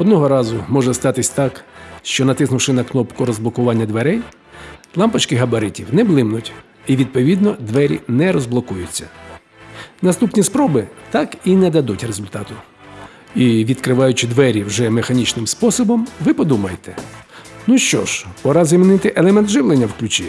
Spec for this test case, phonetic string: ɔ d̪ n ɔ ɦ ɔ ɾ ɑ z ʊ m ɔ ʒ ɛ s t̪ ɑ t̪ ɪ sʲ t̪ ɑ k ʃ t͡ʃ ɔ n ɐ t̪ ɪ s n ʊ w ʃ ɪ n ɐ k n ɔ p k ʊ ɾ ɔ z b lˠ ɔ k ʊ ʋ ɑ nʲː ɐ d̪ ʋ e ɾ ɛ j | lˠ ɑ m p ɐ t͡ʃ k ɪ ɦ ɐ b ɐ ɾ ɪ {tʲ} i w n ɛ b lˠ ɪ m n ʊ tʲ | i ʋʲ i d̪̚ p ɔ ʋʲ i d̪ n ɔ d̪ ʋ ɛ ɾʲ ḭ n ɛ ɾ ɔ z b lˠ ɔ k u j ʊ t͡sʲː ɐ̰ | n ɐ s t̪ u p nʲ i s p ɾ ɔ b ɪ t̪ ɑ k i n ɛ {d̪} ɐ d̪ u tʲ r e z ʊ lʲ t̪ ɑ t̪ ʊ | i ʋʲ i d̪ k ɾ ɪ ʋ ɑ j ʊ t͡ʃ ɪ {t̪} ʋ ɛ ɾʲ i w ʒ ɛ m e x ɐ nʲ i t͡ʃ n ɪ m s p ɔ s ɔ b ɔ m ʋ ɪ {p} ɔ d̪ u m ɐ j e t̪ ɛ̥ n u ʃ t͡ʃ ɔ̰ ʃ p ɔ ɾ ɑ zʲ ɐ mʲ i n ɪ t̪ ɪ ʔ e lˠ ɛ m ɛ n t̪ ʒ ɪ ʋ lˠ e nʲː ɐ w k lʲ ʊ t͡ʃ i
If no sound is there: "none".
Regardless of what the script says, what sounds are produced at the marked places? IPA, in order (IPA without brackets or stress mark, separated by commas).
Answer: tʲ, d̪, d̪, p